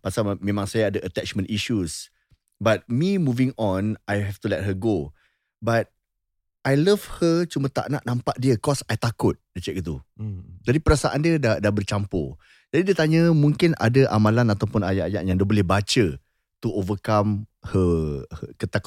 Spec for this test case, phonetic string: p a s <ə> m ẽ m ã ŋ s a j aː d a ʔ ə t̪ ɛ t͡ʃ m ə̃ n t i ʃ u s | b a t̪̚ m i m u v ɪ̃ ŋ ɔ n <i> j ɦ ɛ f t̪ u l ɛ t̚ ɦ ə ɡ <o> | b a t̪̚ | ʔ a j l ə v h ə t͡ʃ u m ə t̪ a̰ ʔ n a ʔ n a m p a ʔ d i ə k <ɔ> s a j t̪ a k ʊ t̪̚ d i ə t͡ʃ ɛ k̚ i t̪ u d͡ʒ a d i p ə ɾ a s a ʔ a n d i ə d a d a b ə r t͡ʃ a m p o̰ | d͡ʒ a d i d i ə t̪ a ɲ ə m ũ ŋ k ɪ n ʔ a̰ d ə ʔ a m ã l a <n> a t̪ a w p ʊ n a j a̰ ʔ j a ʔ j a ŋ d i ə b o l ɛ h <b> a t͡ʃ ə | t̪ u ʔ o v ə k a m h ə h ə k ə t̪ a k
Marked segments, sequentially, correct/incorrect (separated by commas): incorrect, incorrect, correct, correct, correct, correct